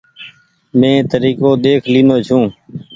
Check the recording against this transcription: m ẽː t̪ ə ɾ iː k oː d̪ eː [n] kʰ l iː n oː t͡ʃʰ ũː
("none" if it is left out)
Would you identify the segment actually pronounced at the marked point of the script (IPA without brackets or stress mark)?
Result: none